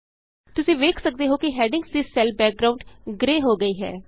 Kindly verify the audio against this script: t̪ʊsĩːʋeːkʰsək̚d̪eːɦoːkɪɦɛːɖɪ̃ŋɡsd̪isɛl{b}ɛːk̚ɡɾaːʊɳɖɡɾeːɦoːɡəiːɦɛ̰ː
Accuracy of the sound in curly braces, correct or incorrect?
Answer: correct